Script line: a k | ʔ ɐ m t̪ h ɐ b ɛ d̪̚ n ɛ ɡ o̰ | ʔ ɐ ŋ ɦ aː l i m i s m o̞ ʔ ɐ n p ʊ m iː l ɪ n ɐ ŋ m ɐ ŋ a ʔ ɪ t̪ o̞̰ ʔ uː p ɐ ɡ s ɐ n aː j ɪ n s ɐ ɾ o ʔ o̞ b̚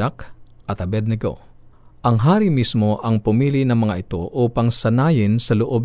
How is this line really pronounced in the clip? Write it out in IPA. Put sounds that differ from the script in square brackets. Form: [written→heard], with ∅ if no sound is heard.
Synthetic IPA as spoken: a k | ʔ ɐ [m→∅] t̪ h ɐ b ɛ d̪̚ n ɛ ɡ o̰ | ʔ ɐ ŋ ɦ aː [l→ɾ] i m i s m o̞ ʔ ɐ [n→ŋ] p ʊ m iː l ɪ n ɐ ŋ m ɐ ŋ a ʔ ɪ t̪ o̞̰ ʔ uː p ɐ [ɡ→ŋ] s ɐ n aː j ɪ n s ɐ [ɾ→l] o ʔ o̞ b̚